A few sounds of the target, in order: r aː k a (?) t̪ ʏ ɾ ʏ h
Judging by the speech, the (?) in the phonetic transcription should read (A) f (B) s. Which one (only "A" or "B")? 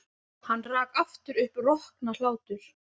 A